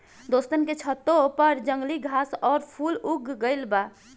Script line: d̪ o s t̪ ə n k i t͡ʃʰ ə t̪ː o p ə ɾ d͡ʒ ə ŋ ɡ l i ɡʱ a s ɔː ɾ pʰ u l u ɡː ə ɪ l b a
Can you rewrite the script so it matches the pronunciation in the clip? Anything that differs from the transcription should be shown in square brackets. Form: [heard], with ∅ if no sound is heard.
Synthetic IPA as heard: d̪ o s t̪ ə n k [e] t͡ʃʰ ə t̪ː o p ə ɾ d͡ʒ ə ŋ ɡ l i ɡʱ a s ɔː ɾ pʰ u l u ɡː ə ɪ l b a